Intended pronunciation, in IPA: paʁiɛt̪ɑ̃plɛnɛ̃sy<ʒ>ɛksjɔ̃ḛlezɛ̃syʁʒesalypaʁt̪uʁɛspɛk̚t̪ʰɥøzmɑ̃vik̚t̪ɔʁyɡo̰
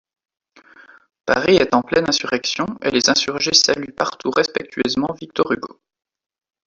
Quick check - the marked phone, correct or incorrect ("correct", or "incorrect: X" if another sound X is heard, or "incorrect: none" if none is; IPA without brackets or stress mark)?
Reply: incorrect: ʁ